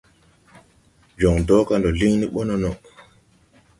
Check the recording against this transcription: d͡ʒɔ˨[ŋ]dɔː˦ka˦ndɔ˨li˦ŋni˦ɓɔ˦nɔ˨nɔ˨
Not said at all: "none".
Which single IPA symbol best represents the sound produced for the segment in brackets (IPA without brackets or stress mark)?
ŋ